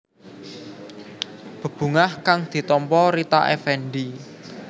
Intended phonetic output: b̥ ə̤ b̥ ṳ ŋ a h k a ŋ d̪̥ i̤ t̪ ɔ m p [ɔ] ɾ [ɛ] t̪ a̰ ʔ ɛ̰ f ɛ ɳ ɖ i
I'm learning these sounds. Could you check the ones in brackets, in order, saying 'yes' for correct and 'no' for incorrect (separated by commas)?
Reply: yes, no